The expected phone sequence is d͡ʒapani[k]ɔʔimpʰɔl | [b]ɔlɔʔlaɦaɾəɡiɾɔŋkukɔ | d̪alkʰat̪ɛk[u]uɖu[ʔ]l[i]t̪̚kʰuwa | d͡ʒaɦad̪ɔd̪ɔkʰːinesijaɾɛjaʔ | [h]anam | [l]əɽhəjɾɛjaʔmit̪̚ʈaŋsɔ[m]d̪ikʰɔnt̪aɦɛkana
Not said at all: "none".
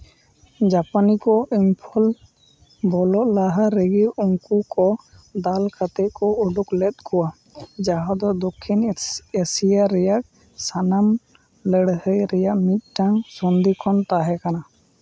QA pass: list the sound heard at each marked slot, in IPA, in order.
k, b, ɔ, k, ɛ, s, l, n

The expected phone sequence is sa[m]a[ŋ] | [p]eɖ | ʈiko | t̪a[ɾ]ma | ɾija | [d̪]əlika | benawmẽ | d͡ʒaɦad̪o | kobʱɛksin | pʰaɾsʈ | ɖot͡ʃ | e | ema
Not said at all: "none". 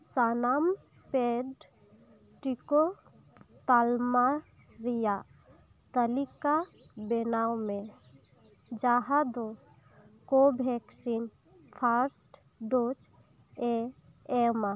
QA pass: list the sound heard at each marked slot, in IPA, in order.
n, m, p, l, t̪

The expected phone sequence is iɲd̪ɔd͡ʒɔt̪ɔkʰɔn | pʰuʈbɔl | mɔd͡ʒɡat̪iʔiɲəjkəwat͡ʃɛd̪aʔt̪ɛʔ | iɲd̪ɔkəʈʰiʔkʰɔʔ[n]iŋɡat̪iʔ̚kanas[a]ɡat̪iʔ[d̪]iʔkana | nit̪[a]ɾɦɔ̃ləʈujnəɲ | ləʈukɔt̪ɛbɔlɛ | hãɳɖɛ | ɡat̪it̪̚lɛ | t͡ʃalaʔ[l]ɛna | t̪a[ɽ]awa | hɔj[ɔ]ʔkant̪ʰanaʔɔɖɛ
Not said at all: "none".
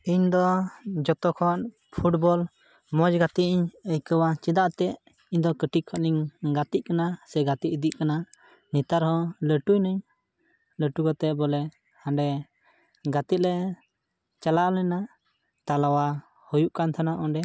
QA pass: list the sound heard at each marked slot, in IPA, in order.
n, ɛ, d̪, a, l, l, u

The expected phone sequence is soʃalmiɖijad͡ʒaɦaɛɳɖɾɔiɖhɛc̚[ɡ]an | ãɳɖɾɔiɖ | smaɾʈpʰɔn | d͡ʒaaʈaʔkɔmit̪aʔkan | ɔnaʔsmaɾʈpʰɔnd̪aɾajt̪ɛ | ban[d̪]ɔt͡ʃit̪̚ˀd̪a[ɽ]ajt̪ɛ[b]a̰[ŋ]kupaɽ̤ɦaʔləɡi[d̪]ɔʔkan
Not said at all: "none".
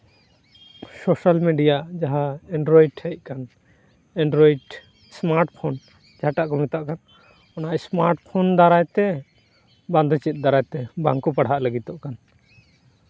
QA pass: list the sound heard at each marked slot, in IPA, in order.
k, d̪, ɾ, b, ŋ, t̪

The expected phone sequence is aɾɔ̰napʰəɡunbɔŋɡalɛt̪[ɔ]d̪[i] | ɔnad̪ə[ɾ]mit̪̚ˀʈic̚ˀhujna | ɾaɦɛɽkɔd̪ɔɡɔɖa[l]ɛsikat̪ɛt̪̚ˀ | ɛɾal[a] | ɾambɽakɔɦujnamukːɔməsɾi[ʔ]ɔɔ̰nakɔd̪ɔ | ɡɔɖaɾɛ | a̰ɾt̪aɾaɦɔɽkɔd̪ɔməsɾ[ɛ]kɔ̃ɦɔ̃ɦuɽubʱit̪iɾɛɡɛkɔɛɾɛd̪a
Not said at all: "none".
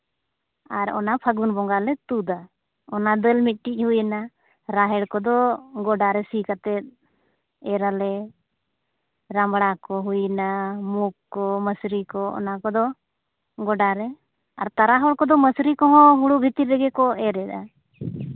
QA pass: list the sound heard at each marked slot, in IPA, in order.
u, a, l, ɾ, ɛ, k, i

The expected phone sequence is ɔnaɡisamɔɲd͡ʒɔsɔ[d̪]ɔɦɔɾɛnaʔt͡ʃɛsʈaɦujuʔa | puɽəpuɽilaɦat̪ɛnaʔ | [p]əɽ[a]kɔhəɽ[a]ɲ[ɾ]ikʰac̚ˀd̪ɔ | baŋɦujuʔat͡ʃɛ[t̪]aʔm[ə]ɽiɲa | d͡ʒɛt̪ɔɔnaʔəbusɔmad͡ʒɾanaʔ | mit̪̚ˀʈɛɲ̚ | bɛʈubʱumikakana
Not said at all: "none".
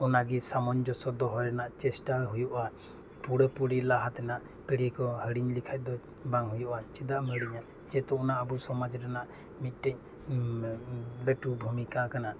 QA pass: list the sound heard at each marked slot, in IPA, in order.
d̪, p, i, i, l, d̪, ə

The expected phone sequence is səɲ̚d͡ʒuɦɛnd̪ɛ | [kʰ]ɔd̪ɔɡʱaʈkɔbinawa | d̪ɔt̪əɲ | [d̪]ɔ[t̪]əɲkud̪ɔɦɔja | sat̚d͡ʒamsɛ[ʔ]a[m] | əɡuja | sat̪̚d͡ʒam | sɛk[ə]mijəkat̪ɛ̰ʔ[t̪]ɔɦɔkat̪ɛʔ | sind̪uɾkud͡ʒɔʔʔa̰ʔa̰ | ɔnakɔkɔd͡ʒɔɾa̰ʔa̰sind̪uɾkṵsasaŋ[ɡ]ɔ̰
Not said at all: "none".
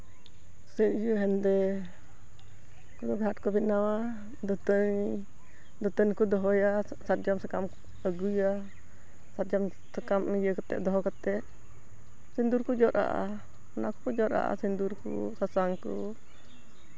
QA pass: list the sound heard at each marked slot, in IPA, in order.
k, d̪, t̪, k, m, a, d̪, k

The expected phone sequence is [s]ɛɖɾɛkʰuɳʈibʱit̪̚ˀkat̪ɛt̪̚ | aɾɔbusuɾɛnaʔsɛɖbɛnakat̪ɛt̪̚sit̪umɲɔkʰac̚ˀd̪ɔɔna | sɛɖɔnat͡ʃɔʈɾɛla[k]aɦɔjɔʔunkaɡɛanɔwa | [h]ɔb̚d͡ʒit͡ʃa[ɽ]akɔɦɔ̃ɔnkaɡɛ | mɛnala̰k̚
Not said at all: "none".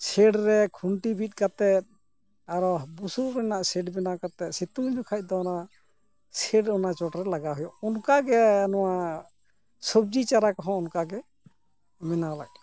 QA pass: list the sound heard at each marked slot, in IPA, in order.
s, ɡ, s, ɾ

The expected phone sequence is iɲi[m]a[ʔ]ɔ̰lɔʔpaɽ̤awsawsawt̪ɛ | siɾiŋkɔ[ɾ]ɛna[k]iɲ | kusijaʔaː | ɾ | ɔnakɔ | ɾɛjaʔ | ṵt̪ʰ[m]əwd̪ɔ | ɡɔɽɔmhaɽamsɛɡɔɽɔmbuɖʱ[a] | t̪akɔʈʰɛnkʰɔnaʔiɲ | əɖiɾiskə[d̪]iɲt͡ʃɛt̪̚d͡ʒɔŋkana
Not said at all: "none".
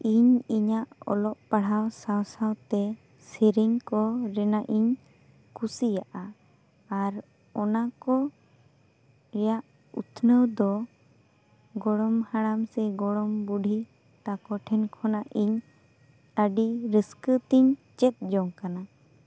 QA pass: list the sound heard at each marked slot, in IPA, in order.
ɲ, ʔ, ɾ, ʔ, n, i, t̪

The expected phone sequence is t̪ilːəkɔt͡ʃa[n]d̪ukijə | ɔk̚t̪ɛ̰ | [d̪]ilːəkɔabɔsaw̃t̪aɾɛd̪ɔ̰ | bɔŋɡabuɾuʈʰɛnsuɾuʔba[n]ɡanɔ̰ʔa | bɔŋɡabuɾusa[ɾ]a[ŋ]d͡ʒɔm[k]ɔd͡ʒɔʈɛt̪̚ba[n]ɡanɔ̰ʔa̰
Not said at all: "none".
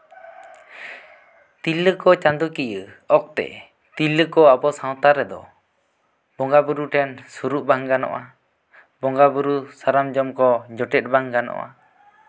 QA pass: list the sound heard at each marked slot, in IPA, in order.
n, t̪, ŋ, ɾ, m, k, ŋ

